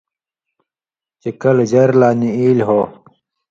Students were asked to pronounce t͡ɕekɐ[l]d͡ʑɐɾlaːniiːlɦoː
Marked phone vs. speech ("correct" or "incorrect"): correct